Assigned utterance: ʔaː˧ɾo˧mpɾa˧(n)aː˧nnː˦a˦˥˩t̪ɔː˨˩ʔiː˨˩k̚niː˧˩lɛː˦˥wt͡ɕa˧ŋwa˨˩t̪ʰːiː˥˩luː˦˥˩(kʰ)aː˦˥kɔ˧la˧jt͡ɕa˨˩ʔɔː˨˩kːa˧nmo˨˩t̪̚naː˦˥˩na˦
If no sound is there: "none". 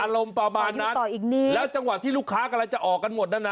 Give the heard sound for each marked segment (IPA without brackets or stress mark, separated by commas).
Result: m, kʰ